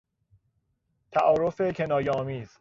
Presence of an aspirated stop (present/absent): present